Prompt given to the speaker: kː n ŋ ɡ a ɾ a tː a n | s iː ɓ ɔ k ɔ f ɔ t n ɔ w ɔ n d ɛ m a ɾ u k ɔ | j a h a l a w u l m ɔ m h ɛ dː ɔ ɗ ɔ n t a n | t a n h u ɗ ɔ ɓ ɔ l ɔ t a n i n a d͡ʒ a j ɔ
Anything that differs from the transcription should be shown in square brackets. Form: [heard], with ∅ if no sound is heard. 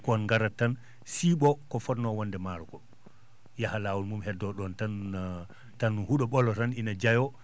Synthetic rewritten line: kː n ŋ ɡ a ɾ a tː a n | s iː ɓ ɔ k ɔ f ɔ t n ɔ w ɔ n d ɛ m a ɾ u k ɔ | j a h a l a w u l m [u] m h ɛ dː ɔ ɗ ɔ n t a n | t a n h u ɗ ɔ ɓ ɔ l ɔ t a n i n a d͡ʒ a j ɔ